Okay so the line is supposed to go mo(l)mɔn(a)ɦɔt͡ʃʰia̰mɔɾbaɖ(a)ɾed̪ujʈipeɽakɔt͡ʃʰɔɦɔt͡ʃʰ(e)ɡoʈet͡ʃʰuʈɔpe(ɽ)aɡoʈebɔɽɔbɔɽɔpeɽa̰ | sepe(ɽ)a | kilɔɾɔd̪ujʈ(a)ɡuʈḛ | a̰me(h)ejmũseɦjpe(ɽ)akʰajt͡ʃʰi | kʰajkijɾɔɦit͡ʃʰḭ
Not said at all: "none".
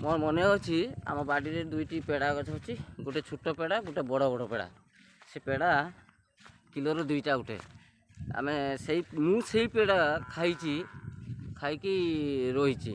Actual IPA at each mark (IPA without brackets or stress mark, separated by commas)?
ɾ, e, i, i, ɽ, ɽ, a, s, ɽ